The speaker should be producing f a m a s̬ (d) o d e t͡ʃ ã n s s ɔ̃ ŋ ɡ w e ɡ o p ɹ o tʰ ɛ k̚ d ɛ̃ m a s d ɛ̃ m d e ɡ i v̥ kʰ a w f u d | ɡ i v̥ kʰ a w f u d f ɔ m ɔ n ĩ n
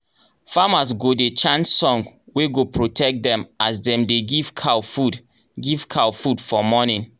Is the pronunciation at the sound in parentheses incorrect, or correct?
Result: incorrect